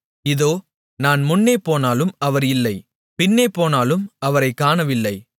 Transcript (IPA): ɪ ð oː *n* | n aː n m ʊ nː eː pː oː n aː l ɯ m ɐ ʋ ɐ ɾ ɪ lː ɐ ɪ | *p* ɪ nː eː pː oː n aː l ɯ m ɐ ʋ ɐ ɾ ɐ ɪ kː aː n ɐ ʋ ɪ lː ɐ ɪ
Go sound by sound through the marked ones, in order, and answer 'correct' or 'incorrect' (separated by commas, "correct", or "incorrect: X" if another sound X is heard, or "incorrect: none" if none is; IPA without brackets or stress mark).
incorrect: none, correct